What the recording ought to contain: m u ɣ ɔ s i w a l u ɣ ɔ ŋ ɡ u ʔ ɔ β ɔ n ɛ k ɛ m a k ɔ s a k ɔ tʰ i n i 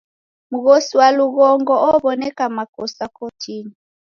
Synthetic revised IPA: m u ɣ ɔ s i w a l u ɣ ɔ ŋ ɡ ɔ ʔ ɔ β ɔ n ɛ k a m a k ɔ s a k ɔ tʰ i n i